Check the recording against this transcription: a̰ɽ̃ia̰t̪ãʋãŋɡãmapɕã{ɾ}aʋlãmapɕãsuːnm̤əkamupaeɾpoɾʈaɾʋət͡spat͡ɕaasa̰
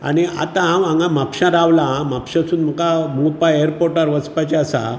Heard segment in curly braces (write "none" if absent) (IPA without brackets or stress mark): ɾ